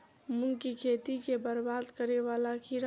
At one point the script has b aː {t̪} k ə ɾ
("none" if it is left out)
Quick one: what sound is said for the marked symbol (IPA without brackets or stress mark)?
d̪